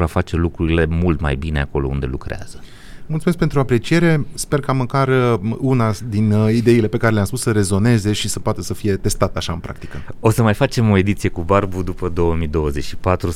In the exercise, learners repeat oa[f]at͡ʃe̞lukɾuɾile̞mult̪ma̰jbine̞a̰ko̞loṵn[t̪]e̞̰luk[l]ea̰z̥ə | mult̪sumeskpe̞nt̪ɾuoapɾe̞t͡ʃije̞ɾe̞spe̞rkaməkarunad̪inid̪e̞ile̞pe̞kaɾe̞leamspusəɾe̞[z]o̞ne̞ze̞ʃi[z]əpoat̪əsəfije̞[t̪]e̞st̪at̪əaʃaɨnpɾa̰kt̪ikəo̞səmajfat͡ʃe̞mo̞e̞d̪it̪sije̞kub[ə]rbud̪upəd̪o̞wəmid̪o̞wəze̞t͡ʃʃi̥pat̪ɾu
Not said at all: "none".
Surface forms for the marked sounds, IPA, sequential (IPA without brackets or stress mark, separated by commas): f, d̪, ɾ, z, s, t̪, a